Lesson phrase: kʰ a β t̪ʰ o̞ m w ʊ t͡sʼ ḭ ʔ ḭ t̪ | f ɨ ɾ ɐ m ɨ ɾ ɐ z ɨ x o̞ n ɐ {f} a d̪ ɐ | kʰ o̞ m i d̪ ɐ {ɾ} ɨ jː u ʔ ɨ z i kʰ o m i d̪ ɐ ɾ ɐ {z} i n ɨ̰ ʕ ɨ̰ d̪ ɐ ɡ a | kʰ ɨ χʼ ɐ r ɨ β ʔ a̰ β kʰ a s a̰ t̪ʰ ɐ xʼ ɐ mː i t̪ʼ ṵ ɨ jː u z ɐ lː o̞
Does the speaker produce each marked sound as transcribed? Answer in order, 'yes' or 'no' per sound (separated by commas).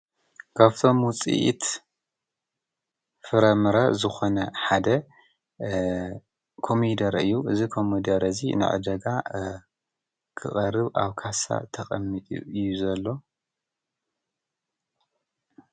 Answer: no, yes, yes